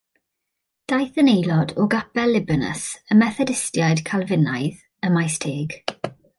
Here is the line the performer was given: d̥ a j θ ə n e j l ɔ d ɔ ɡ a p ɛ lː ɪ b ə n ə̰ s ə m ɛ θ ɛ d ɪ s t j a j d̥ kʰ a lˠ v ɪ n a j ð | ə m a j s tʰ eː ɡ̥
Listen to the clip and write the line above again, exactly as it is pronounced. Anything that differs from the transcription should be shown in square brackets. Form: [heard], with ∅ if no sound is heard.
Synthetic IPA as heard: d̥ a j θ ə n e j l ɔ d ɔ ɡ a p ɛ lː ɪ b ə n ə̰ s ə m ɛ θ ɛ d ɪ s t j a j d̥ kʰ a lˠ v ɪ n a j ð | ə m a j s tʰ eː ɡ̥